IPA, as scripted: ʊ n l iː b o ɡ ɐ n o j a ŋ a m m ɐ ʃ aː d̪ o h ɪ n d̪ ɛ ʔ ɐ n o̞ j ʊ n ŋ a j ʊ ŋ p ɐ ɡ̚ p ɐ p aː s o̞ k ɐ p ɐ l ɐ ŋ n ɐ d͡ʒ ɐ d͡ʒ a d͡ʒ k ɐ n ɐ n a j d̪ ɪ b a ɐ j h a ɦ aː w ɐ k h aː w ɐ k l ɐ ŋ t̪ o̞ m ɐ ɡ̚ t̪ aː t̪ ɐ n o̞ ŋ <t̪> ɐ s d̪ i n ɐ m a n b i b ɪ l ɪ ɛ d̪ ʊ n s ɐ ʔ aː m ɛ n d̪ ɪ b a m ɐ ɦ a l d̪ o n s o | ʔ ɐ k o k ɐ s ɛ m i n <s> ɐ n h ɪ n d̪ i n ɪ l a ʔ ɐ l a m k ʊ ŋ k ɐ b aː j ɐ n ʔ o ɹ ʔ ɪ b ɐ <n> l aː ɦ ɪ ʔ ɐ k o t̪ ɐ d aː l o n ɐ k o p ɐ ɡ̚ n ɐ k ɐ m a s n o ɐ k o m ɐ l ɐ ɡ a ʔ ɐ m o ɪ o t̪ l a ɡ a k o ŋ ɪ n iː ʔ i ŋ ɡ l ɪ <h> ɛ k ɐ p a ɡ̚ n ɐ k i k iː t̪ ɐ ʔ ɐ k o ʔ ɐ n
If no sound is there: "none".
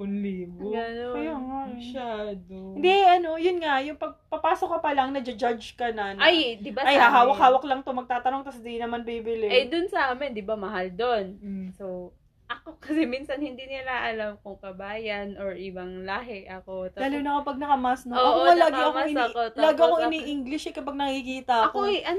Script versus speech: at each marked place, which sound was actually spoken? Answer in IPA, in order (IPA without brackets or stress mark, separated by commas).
t̪, s, ŋ, ʃ